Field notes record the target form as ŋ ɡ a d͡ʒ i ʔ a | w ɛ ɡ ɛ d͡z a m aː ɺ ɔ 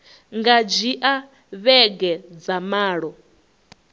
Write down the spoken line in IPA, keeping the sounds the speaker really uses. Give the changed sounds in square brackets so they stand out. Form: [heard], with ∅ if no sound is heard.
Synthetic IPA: ŋ ɡ a d͡ʒ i ʔ a | [β] ɛ ɡ ɛ d͡z a m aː ɺ ɔ